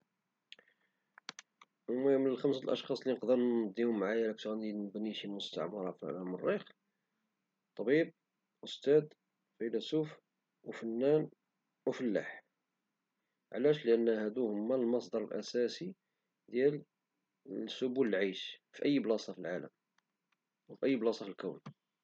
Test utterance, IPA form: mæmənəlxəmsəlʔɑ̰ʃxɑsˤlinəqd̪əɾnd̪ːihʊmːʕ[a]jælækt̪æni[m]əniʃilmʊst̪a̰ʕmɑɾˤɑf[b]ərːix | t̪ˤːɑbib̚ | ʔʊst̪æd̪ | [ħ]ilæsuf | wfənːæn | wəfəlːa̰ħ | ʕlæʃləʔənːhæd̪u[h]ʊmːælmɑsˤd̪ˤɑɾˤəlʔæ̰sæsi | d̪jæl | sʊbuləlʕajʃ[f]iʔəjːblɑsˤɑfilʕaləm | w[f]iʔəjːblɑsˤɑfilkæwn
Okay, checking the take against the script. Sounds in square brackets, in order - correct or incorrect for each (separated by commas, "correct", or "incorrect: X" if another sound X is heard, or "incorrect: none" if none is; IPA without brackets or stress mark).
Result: correct, incorrect: b, incorrect: m, incorrect: f, correct, correct, correct